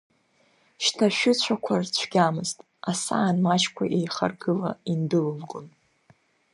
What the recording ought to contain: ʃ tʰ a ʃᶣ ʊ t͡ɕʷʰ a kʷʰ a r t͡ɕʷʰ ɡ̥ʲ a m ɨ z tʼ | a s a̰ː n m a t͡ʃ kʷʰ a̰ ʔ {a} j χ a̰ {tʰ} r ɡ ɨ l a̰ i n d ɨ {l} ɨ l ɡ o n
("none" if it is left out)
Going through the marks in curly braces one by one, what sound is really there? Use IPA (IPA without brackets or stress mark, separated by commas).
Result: e, none, l